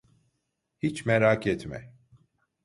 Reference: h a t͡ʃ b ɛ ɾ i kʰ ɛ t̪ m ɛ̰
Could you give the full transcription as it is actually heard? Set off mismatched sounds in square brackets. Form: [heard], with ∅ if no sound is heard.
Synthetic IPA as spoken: h [i] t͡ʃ [m] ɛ ɾ [a] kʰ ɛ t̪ m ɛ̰

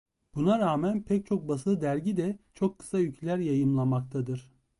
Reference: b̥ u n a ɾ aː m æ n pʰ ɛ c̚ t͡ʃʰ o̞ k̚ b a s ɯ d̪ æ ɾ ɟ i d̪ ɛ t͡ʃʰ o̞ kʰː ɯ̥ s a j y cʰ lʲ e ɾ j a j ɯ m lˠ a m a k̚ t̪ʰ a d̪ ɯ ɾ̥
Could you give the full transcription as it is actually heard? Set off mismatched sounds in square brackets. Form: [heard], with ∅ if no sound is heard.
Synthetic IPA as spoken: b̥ u n a ɾ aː m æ n pʰ ɛ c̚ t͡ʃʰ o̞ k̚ b a s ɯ d̪ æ ɾ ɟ i d̪ ɛ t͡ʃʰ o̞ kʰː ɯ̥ s a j y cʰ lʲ [æ] ɾ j a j ɯ m lˠ a m a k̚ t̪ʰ a d̪ ɯ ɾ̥

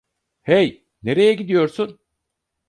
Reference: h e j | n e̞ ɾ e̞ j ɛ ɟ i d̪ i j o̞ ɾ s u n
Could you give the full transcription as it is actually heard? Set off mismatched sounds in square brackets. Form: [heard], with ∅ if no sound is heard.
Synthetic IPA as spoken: h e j | n e̞ ɾ e̞ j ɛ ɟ i d̪ i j o̞ ɾ s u n

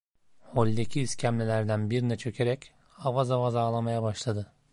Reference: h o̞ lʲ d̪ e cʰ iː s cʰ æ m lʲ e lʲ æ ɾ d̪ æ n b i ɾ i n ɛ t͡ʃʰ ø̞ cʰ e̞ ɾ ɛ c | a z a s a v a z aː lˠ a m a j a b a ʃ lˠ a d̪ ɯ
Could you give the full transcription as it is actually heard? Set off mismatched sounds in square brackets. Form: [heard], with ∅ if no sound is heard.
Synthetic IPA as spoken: h o̞ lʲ d̪ e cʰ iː s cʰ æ m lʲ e lʲ æ ɾ d̪ æ n b i ɾ i n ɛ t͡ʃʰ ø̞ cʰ e̞ ɾ ɛ c | a [v] a [z] a v a z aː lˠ a m a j a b a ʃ lˠ a d̪ ɯ

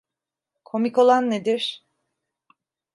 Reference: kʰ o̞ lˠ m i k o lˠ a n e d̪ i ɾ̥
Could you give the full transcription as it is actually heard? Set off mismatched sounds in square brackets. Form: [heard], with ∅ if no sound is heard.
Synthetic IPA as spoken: kʰ o̞ [∅] m i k o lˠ a [nː] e d̪ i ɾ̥

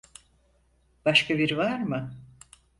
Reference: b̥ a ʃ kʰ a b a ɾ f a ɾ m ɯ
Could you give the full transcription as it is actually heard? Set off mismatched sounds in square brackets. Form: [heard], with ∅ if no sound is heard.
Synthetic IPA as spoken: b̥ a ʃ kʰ a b [i] ɾ [v] a ɾ m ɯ

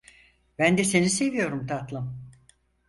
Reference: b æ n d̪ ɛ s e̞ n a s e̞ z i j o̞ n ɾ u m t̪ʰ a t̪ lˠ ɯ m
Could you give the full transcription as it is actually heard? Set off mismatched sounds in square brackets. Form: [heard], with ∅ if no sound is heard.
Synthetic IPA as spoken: b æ n d̪ ɛ s e̞ n [i] s e̞ [v] i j o̞ [∅] ɾ u m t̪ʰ a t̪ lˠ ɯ m

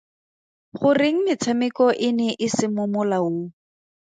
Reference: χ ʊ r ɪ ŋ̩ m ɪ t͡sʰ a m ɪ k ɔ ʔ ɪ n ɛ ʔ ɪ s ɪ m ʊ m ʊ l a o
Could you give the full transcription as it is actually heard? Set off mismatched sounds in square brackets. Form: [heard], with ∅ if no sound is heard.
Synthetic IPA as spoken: χ ʊ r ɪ ŋ̩ m ɪ t͡sʰ a m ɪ k ɔ ʔ ɪ n ɛ ʔ ɪ s ɪ m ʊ m ʊ l a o

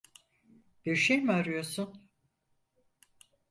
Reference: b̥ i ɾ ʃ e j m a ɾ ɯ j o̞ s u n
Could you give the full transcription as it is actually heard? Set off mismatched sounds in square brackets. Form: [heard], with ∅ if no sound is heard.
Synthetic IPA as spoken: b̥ i ɾ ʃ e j m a ɾ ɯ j o̞ s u n

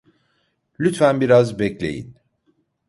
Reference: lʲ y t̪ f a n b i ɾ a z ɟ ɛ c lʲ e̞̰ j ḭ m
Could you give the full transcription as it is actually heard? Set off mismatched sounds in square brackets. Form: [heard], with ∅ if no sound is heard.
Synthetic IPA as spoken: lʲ y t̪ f [æ] n b i ɾ a z [b] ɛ c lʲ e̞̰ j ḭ [n]

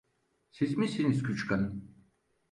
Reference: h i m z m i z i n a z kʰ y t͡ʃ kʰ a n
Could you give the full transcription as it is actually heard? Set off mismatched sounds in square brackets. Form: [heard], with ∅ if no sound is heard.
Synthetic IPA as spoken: [s] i [∅] z m i [s] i n [i] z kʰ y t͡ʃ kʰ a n

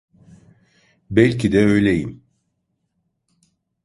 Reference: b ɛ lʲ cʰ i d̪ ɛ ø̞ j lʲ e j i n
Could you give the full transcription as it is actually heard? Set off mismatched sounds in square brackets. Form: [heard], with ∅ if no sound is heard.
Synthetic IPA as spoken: b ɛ lʲ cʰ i d̪ ɛ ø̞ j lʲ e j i [m]

